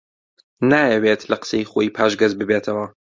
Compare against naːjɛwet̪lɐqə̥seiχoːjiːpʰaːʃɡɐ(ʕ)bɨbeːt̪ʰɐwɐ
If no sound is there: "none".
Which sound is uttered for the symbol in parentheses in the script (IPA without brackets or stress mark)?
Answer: z